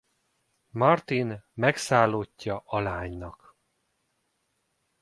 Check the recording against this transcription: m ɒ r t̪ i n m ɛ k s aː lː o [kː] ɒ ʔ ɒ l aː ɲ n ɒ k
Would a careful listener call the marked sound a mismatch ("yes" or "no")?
yes